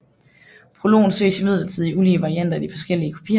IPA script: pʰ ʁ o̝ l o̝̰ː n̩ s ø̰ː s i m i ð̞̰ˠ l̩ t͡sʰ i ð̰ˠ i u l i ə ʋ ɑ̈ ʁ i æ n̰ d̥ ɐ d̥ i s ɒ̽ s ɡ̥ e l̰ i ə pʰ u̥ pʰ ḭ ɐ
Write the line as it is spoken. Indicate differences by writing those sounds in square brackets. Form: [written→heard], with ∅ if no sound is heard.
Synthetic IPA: pʰ ʁ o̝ l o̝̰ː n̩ s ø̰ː s i m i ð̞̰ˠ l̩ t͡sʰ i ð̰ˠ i u l i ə ʋ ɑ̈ ʁ i æ n̰ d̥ ɐ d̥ i [s→f] ɒ̽ s ɡ̥ e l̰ i ə [pʰ→kʰ] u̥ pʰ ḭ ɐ